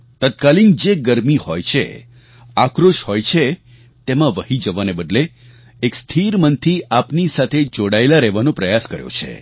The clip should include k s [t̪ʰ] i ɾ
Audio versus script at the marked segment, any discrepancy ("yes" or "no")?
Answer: no